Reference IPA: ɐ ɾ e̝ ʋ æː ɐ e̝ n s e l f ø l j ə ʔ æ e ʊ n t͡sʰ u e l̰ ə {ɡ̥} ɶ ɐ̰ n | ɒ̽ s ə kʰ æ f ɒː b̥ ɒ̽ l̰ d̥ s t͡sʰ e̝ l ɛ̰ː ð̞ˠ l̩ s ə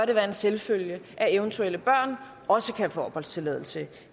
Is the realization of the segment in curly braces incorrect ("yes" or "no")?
yes